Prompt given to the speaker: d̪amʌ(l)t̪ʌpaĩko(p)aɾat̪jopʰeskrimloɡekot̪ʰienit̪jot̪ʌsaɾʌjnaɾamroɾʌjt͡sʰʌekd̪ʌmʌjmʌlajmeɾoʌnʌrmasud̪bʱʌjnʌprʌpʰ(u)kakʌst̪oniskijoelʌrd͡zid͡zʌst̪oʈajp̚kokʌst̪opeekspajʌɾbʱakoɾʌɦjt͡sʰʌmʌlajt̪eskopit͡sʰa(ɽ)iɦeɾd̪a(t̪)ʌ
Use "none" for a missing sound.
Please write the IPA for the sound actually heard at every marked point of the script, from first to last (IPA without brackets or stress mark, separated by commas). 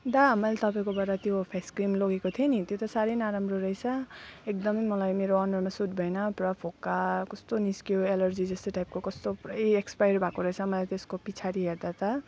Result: l, b, o, ɾ, t̪